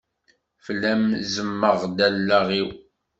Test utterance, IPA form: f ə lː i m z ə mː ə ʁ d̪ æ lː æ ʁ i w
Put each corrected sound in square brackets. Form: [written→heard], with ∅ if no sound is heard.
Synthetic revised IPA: f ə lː [i→æ] m z ə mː ə ʁ d̪ æ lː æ ʁ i w

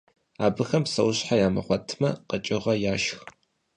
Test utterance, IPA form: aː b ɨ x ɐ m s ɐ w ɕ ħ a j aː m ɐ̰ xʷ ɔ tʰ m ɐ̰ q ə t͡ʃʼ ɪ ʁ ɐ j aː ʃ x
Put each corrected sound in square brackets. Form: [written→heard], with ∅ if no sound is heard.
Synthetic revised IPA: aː b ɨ x ɐ m s ɐ w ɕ ħ a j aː m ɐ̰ [xʷ→χʷ] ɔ tʰ m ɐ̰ q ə t͡ʃʼ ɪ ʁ ɐ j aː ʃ x

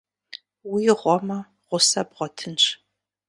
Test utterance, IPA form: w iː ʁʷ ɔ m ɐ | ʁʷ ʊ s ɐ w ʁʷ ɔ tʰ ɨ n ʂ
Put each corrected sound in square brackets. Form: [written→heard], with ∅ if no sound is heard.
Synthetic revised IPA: w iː ʁʷ ɔ m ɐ | ʁʷ ʊ s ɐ [w→b] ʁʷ ɔ tʰ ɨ n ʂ

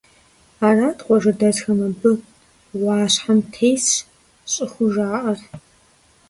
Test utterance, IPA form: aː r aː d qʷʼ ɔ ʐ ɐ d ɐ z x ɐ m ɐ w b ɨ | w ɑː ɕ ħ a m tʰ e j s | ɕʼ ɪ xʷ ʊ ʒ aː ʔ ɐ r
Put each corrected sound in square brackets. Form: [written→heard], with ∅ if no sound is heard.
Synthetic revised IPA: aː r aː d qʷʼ ɔ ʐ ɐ d ɐ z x ɐ m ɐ [w→∅] b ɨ | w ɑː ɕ ħ a m tʰ e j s | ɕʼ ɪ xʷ ʊ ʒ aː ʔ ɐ r

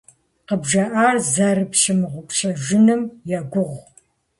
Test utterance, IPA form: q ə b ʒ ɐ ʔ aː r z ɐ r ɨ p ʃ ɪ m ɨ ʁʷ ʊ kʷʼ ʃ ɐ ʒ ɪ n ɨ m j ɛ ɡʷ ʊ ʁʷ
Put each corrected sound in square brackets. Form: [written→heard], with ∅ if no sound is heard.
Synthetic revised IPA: q ə b ʒ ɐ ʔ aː r z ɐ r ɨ p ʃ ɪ m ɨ ʁʷ ʊ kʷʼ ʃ ɐ ʒ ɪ n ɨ m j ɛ ɡʷ ʊ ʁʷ

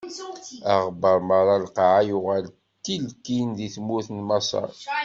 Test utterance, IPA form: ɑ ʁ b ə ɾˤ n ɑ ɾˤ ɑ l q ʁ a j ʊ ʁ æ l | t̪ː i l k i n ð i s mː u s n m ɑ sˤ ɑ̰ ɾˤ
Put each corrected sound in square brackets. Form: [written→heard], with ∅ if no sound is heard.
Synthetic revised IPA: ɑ ʁ b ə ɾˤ [n→m] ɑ ɾˤ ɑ l q [ʁ→ʕ] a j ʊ ʁ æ l | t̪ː i l k i n ð i [s→θ] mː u [s→θ] n m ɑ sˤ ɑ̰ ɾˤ

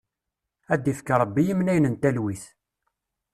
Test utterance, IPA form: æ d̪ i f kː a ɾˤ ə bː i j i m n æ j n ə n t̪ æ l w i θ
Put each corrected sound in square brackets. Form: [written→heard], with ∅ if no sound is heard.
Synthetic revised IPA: æ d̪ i f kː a ɾˤ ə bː i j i m n æ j n ə n t̪ æ l w i θ

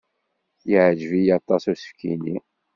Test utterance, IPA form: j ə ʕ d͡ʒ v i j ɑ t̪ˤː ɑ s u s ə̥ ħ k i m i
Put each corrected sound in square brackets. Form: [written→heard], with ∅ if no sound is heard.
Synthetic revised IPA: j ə ʕ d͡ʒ v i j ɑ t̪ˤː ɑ s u s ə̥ [ħ→f] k i [m→n] i

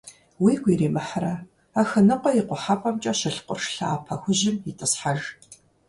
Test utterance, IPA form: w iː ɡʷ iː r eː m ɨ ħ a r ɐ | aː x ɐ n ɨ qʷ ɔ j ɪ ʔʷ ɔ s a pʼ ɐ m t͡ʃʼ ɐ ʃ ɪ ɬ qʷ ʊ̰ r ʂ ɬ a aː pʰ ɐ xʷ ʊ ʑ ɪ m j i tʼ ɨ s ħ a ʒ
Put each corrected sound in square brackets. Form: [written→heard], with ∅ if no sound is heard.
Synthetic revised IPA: w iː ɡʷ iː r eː m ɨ ħ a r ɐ | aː x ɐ n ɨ qʷ ɔ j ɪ [ʔʷ→qʷ] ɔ [s→ħ] a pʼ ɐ m t͡ʃʼ ɐ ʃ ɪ ɬ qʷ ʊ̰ r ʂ ɬ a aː pʰ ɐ xʷ ʊ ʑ ɪ m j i tʼ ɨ s ħ a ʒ

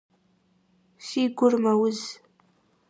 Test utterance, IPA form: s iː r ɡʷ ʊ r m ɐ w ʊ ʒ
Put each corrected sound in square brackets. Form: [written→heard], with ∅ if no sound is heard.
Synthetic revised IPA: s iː [r→∅] ɡʷ ʊ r m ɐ w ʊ [ʒ→z]

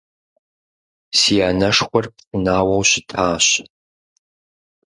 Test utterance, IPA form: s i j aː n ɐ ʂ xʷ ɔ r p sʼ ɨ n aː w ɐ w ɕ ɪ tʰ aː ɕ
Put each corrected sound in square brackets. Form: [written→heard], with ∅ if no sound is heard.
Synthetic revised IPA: s i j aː n ɐ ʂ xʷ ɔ r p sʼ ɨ n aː w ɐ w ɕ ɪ tʰ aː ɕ

